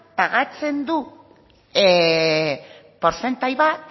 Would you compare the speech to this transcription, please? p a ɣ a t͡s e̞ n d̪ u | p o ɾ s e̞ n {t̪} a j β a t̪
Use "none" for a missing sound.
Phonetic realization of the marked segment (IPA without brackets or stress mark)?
t̪